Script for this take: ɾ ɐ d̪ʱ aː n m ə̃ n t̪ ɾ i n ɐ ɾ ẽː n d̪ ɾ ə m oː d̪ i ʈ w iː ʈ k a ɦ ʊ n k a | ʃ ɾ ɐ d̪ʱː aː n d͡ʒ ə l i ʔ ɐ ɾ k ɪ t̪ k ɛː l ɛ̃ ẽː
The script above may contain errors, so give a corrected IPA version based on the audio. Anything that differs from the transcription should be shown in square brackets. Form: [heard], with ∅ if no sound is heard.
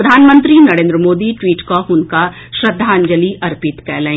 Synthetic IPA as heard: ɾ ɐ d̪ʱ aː n m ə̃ n t̪ ɾ i n ɐ ɾ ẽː n d̪ ɾ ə m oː d̪ i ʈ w iː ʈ k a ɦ ʊ n k a | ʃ ɾ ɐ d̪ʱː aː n d͡ʒ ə l i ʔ ɐ ɾ [p] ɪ t̪ k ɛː l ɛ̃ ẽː